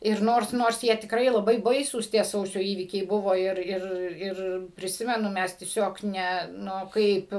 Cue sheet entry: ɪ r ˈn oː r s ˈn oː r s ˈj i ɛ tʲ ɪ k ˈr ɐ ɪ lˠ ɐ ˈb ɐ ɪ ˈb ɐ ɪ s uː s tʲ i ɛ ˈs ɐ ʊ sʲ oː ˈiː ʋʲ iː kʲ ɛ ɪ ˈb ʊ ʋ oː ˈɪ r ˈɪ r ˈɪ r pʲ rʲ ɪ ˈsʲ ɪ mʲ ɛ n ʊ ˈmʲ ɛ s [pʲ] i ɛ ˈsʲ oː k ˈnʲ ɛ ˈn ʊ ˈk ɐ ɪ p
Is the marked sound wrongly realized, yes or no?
yes